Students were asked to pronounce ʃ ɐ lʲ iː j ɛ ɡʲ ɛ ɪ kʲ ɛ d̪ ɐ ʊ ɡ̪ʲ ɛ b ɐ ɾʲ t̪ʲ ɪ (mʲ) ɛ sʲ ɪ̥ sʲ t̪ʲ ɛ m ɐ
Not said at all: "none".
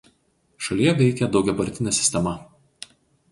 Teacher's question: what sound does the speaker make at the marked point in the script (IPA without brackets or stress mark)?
nʲ